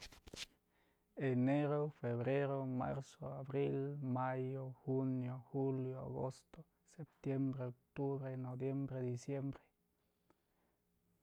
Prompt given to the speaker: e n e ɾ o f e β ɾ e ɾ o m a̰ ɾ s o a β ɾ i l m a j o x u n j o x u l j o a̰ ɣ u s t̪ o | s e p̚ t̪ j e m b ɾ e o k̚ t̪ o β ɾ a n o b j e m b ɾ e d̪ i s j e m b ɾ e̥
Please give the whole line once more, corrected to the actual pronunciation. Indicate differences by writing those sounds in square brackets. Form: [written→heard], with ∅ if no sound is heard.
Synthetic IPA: e n e ɾ o f e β ɾ e ɾ o m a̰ ɾ s o a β ɾ i l m a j o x u n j o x u l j o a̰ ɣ [u→o] s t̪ o | s e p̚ t̪ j e m b ɾ e o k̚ t̪ [o→u] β ɾ [a→e] n o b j e m b ɾ e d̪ i s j e m b ɾ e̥